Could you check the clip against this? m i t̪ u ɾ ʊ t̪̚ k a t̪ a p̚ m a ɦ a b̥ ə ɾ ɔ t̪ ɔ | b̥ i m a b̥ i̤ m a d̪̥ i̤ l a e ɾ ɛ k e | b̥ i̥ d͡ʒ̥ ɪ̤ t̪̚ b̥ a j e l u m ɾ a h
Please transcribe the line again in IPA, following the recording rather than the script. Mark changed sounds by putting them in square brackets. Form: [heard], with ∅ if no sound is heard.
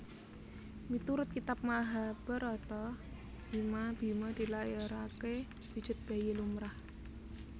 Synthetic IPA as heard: m i t̪ u ɾ ʊ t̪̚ k [i] t̪ a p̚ m a ɦ a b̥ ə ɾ ɔ t̪ ɔ | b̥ i m a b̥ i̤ m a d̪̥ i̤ l a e ɾ [a] k e | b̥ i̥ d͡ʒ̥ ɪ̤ t̪̚ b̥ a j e l u m ɾ a h